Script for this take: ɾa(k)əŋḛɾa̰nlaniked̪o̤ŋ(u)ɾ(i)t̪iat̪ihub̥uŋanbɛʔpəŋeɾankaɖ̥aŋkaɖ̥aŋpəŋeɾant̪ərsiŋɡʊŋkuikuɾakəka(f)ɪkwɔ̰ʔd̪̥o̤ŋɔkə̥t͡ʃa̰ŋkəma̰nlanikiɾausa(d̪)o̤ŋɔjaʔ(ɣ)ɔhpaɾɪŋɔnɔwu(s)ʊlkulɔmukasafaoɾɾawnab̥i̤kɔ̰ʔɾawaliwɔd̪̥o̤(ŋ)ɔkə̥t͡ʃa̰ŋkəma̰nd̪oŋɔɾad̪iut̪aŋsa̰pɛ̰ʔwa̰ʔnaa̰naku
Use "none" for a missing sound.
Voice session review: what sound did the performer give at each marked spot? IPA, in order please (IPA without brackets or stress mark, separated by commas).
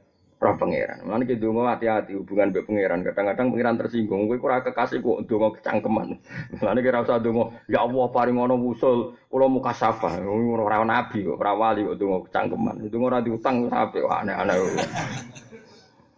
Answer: p, ɔ, a, s, d̪, w, s, ŋ